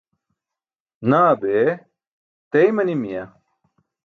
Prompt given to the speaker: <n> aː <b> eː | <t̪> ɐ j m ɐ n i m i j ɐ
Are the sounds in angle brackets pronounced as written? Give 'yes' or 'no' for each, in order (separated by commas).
yes, yes, yes